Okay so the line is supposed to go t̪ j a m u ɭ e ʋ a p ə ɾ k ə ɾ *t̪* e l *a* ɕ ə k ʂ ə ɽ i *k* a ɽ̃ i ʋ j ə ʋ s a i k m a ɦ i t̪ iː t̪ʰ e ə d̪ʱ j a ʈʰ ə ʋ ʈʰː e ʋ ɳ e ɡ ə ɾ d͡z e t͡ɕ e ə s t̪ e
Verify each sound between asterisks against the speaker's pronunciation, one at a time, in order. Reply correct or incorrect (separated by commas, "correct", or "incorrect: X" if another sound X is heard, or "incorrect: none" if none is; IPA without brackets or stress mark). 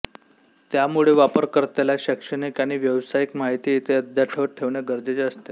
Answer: correct, correct, correct